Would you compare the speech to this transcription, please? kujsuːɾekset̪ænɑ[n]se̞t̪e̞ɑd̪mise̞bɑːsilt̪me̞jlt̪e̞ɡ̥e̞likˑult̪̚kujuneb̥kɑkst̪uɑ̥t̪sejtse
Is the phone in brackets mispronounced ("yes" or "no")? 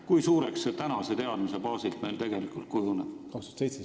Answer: yes